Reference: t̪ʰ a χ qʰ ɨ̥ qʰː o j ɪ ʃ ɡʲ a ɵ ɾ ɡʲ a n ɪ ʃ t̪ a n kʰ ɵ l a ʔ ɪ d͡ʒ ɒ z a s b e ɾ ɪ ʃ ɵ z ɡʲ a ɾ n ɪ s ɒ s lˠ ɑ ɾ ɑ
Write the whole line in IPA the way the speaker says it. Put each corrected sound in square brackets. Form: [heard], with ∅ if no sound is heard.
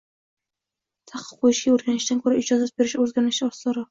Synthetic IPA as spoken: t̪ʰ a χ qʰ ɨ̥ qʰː o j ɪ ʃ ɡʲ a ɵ ɾ ɡʲ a n ɪ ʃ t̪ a n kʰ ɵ [ɾ] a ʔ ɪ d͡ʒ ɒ z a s b e ɾ ɪ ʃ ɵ z ɡʲ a ɾ n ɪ [ʃ] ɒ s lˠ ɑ ɾ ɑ